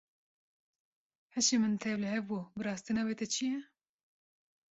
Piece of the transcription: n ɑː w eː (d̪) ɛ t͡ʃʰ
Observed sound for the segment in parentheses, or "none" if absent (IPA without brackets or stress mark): t̪